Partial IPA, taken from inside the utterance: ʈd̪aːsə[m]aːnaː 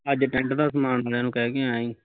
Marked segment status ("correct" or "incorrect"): correct